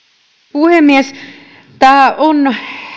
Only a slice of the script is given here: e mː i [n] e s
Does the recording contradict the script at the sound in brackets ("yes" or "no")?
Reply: yes